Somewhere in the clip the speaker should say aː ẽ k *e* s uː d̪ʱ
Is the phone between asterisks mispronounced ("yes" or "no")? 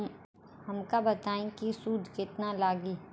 yes